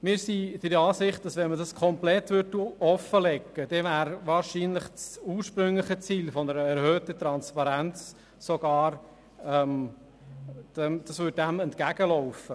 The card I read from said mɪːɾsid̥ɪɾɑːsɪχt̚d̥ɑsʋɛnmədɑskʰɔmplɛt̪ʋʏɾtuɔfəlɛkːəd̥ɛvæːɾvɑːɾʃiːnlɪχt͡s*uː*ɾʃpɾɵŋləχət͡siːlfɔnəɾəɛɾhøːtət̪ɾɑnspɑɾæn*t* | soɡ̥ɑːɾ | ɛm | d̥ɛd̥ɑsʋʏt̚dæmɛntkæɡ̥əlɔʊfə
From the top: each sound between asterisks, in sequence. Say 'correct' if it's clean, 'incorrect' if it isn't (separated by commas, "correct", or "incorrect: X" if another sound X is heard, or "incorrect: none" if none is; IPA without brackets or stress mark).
correct, incorrect: t͡s